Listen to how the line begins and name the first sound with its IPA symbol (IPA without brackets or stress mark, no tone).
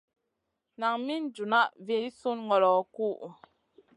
n